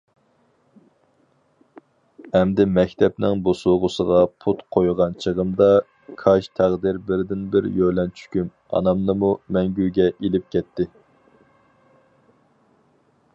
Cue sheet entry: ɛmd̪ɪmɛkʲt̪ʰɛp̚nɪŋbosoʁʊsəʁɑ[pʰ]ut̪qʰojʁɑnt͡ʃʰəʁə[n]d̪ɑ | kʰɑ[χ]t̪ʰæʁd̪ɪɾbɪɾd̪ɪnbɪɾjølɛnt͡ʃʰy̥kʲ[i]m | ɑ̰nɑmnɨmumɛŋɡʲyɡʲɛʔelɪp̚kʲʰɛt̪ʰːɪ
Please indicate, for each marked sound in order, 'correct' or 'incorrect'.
correct, incorrect, incorrect, incorrect

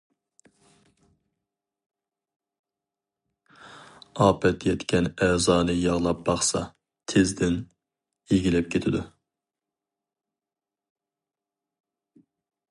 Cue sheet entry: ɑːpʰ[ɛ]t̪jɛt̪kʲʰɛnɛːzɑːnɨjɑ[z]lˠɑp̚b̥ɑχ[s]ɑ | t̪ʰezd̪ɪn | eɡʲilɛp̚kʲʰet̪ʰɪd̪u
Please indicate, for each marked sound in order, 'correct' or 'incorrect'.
correct, incorrect, correct

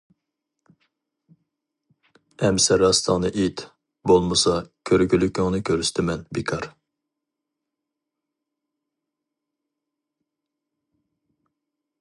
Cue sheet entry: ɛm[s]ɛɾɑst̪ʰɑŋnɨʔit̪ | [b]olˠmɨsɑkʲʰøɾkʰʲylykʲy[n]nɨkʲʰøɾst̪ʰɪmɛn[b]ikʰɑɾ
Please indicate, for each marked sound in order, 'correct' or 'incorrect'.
correct, correct, incorrect, correct

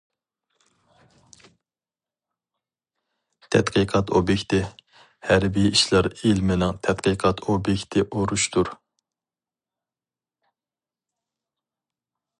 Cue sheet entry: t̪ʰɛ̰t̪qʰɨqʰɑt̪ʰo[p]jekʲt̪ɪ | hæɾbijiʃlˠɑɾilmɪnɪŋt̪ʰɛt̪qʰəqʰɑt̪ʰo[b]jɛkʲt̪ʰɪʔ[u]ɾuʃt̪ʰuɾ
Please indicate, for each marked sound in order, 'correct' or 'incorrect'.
incorrect, correct, incorrect

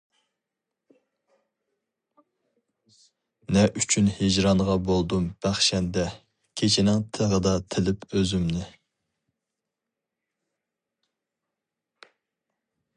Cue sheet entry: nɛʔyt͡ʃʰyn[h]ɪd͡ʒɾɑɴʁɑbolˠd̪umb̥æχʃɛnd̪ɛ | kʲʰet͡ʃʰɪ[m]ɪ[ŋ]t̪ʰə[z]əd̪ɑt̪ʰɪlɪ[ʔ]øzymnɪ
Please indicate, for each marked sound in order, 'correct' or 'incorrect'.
correct, incorrect, correct, incorrect, incorrect

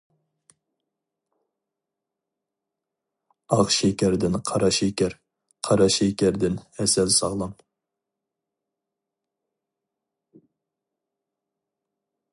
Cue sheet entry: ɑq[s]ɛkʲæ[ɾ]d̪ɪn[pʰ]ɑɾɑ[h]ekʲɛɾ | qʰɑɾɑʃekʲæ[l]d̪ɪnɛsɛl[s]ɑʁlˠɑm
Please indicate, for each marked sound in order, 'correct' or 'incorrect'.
incorrect, correct, incorrect, incorrect, incorrect, correct

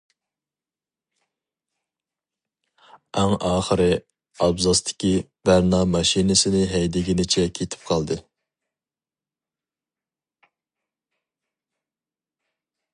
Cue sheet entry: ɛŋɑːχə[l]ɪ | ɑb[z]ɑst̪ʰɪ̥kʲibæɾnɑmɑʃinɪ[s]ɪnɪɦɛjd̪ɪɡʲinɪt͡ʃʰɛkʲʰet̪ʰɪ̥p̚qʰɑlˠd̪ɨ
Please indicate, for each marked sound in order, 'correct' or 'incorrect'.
incorrect, correct, correct

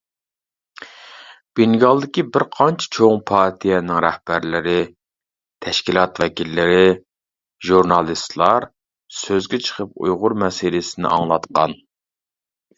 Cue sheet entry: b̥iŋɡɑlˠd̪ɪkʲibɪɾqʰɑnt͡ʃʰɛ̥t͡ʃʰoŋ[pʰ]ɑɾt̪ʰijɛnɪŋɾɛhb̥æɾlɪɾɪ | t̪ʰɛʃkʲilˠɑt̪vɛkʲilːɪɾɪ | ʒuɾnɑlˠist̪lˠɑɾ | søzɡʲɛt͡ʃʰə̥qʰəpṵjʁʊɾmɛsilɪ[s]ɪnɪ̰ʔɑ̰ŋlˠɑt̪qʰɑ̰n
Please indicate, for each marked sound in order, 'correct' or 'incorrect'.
correct, correct

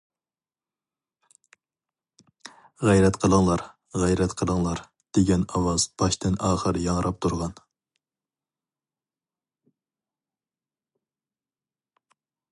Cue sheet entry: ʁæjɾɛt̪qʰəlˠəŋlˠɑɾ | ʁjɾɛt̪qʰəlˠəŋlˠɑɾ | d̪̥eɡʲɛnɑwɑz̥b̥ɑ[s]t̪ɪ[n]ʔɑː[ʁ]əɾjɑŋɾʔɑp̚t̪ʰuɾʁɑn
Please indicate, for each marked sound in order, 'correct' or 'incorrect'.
incorrect, correct, incorrect

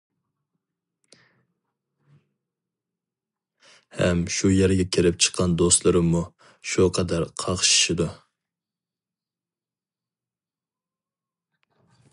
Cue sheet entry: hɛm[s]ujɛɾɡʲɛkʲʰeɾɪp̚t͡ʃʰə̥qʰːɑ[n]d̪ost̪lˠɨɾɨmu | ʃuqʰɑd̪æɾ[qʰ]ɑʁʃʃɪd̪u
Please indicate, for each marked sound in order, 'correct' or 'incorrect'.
incorrect, correct, correct

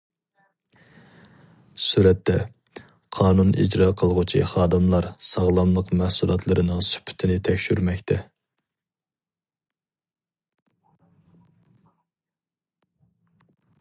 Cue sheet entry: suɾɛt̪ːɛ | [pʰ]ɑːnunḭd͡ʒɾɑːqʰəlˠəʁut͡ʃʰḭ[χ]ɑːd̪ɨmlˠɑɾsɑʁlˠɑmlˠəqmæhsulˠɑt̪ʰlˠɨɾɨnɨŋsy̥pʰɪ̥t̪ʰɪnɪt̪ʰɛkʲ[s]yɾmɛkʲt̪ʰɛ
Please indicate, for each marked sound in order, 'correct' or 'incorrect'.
incorrect, correct, incorrect

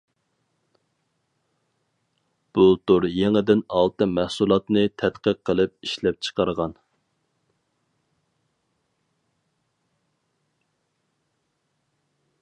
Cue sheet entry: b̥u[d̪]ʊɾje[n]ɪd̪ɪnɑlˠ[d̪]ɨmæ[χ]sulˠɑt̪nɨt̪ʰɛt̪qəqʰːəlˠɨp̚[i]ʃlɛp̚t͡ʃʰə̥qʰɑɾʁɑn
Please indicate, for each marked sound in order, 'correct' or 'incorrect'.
incorrect, incorrect, incorrect, incorrect, correct

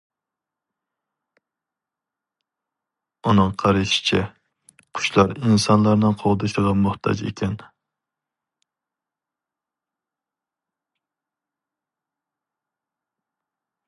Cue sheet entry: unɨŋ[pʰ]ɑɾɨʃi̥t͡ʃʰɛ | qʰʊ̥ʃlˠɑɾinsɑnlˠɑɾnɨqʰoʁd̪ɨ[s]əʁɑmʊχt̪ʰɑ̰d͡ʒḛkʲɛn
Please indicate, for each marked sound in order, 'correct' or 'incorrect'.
incorrect, incorrect

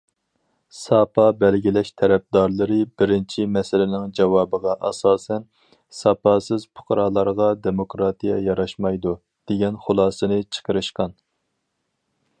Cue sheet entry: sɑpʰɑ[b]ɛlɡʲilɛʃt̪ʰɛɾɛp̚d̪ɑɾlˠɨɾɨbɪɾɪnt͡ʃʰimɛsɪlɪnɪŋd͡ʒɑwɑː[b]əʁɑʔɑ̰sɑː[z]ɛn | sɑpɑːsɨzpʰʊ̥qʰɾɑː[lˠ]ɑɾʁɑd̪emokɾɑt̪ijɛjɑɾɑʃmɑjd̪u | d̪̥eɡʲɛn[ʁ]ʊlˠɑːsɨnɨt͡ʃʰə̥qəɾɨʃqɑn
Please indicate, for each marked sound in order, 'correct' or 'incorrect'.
correct, correct, incorrect, correct, incorrect

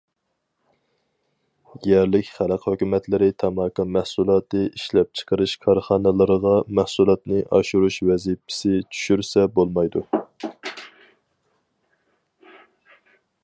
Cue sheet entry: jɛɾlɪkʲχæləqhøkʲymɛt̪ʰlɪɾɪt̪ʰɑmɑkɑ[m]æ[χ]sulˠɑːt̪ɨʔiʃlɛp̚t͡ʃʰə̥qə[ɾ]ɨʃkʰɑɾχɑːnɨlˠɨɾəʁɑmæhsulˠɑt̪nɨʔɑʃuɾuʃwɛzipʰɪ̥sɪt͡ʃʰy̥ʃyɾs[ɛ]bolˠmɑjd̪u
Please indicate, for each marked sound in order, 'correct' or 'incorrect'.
correct, incorrect, correct, correct

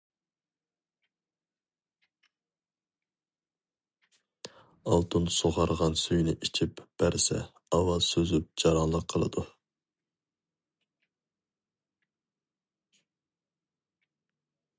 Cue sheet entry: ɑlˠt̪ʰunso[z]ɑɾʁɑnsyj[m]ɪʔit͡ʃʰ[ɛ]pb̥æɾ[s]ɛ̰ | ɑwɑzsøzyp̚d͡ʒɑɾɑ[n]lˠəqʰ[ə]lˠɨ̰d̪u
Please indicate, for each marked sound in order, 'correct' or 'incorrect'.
incorrect, incorrect, incorrect, correct, correct, correct

